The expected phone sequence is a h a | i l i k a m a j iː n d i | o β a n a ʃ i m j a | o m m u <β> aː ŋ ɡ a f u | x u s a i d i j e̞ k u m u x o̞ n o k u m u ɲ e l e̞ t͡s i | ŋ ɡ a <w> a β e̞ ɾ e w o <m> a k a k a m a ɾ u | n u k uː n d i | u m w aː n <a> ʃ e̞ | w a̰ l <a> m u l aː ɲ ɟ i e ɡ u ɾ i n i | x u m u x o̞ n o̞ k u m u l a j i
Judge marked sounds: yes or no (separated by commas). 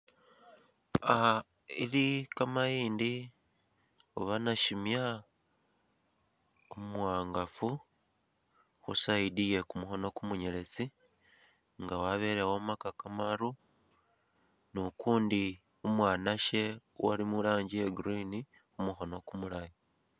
no, yes, yes, yes, no